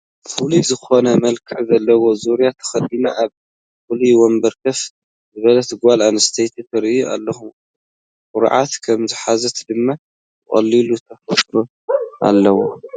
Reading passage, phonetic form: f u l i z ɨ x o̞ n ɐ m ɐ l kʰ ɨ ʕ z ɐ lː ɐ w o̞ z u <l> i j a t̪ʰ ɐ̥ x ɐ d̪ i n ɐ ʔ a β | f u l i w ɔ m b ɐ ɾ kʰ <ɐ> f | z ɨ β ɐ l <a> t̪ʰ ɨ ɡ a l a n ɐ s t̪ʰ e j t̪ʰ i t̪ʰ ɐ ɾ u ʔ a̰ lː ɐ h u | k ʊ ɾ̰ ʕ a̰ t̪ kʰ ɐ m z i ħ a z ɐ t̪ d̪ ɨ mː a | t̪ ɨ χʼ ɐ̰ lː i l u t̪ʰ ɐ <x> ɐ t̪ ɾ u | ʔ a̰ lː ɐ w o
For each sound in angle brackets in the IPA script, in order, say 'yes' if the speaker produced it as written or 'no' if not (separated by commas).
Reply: no, yes, no, no